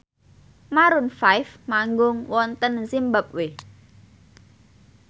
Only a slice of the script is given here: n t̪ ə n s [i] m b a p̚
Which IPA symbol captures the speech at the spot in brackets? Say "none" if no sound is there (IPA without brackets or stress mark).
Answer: i